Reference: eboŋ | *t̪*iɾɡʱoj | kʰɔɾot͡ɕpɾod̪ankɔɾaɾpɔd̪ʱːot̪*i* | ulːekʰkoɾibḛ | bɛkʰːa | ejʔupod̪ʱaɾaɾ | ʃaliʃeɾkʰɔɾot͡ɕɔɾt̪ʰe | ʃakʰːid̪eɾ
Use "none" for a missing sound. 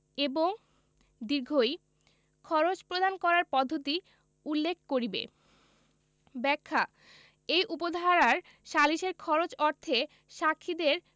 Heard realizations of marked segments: d̪, i

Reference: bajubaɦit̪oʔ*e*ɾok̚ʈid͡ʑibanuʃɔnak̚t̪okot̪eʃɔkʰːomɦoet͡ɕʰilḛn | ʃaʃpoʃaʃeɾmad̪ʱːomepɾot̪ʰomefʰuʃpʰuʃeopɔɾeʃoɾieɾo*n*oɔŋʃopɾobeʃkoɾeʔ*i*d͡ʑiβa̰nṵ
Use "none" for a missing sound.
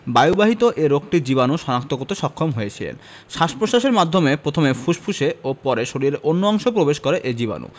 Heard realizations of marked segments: e, nː, e

